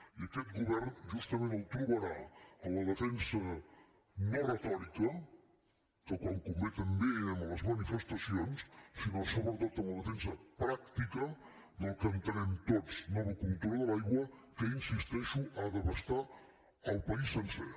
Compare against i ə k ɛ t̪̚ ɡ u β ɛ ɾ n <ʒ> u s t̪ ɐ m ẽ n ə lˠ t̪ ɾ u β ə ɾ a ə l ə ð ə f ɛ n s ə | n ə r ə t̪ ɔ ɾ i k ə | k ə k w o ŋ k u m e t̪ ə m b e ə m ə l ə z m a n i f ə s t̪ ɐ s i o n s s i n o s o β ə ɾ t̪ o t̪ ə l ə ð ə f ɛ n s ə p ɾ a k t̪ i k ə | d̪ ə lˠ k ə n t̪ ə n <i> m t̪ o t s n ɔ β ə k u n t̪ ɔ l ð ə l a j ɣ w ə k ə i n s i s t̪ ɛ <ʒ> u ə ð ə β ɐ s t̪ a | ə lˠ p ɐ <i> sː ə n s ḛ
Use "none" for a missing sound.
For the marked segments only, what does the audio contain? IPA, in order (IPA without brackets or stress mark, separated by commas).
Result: ʒ, ɛ, ʃ, i